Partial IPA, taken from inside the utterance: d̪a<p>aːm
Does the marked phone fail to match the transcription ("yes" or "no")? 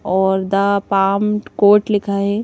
no